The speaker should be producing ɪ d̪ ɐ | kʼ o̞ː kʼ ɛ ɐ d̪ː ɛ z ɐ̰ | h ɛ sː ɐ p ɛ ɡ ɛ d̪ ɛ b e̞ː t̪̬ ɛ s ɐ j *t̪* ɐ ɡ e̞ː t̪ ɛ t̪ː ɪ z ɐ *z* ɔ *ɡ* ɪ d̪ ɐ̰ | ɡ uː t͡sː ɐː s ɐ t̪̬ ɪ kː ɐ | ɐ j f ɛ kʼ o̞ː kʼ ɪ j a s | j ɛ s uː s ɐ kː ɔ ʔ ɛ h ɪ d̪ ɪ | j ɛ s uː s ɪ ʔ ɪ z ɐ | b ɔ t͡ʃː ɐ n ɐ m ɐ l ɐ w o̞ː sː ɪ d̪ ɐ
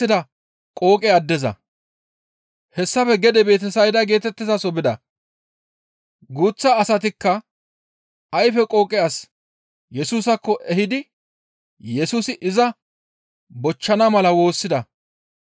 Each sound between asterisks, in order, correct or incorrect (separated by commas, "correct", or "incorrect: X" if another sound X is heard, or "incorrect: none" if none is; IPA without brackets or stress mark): incorrect: d̪, incorrect: s, incorrect: b